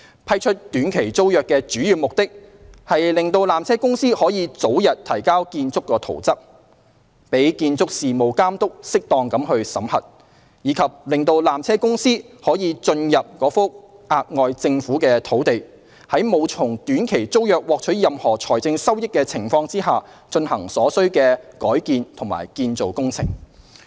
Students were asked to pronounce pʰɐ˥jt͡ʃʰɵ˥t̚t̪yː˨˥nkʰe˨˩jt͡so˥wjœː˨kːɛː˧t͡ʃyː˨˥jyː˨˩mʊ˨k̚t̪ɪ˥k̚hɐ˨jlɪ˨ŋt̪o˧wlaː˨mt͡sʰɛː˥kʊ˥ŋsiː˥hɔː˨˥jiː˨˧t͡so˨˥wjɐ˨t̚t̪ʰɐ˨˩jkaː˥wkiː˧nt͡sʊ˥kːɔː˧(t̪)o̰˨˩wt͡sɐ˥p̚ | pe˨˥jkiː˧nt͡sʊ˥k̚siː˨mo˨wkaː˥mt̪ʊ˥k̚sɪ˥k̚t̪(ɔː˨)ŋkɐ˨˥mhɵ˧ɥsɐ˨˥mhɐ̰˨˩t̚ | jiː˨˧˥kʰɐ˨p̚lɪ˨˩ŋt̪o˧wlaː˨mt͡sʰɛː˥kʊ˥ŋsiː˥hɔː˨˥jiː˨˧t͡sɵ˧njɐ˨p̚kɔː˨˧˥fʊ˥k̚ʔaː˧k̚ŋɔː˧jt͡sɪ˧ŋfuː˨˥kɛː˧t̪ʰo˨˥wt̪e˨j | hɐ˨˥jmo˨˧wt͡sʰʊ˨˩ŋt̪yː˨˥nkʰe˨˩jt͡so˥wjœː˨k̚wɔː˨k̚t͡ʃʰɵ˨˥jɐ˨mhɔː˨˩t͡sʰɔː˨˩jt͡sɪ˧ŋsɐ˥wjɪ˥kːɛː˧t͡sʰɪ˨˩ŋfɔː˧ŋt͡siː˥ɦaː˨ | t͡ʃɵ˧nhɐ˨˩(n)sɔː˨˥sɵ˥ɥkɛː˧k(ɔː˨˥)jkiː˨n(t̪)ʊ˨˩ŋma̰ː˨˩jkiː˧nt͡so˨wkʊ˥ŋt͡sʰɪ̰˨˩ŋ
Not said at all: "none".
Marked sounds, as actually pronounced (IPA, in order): t̪ʰ, ɔː˨, ŋ, ɔː˨˥, t̪ʰ

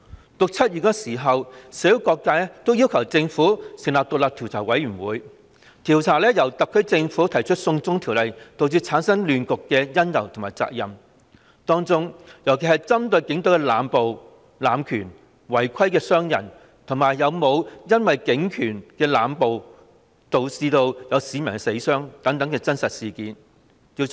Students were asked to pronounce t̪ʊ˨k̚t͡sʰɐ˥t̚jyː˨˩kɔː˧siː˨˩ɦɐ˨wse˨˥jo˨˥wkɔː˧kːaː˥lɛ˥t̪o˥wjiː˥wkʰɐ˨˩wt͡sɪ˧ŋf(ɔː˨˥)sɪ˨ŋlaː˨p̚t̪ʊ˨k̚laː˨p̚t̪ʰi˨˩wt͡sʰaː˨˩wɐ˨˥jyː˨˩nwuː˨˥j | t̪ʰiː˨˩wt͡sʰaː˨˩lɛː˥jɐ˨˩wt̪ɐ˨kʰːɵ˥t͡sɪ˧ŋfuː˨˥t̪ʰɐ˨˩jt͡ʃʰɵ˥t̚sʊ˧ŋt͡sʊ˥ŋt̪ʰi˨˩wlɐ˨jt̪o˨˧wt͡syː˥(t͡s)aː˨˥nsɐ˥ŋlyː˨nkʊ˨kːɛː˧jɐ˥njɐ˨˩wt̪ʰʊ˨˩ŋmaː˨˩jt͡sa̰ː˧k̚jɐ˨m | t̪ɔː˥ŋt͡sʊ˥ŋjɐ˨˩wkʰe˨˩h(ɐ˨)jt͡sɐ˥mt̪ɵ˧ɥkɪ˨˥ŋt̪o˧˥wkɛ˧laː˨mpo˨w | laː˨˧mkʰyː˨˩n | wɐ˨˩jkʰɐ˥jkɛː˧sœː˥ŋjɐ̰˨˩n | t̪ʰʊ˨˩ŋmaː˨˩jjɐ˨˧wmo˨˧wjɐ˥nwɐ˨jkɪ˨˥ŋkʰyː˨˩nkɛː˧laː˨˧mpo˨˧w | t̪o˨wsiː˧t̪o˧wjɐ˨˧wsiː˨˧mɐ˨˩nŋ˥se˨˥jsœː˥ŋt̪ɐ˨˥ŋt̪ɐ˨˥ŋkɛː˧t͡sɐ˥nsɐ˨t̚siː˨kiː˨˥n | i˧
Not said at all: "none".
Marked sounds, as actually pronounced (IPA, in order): uː˨˥, t͡sʰ, ɐ˨

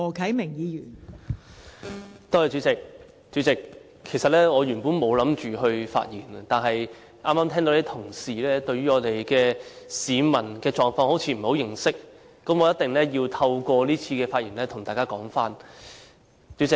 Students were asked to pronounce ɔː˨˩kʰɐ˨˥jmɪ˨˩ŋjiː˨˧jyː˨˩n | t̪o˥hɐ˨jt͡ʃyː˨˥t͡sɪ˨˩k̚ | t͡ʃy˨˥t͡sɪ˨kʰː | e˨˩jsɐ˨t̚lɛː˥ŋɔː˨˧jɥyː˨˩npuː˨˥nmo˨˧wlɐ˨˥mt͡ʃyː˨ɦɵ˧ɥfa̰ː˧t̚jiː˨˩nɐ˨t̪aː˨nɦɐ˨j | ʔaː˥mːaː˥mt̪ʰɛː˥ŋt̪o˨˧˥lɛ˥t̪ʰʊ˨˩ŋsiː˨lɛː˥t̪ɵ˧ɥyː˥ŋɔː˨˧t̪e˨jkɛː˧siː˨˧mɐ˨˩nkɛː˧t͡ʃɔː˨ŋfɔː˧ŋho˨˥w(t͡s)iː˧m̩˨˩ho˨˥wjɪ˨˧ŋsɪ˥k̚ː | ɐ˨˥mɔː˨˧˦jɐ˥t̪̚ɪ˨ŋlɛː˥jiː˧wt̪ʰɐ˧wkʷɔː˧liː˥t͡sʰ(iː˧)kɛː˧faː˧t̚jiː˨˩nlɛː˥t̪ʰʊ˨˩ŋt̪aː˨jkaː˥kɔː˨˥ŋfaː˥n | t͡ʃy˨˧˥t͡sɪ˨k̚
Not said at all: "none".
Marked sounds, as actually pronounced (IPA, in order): t͡sʰ, iː˧

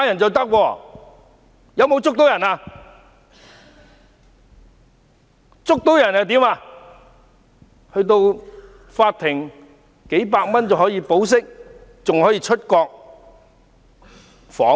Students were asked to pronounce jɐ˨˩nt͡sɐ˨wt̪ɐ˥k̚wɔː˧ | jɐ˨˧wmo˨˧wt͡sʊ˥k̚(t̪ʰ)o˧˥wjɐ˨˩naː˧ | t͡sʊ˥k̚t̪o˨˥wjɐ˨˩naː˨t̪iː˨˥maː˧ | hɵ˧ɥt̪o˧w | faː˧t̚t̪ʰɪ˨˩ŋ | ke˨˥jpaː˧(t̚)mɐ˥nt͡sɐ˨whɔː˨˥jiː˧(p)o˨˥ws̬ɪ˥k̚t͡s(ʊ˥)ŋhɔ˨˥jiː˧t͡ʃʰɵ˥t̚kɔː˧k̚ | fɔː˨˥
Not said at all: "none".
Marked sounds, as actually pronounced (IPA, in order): t̪, k̚, p, ʊ˨

